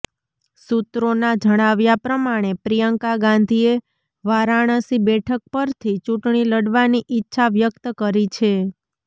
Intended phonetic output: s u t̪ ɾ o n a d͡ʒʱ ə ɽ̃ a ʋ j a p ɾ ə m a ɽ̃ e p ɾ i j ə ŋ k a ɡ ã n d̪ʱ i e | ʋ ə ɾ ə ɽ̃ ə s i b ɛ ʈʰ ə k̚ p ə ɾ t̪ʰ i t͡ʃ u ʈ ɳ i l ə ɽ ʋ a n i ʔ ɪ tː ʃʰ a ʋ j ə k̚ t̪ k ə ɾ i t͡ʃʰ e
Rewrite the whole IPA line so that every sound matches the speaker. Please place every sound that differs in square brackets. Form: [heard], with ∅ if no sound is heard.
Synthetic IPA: s u t̪ ɾ o n a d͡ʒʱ ə ɽ̃ a ʋ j a p ɾ ə m a ɽ̃ e p ɾ i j ə ŋ k a ɡ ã n d̪ʱ i e | ʋ [a] ɾ [a] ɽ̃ ə s i b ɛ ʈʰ ə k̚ p ə ɾ t̪ʰ i t͡ʃ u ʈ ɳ i l ə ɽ ʋ a n i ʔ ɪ tː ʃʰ a ʋ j ə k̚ t̪ k ə ɾ i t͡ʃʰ e